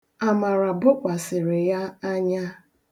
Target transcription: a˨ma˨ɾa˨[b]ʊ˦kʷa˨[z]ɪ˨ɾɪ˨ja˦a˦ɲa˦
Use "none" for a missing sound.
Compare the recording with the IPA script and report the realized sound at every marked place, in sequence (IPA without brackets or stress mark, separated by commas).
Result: b, s